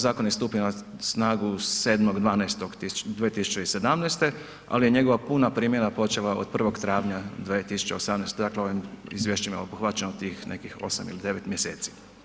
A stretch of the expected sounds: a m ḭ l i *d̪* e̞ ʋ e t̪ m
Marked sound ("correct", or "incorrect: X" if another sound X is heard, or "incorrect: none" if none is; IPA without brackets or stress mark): correct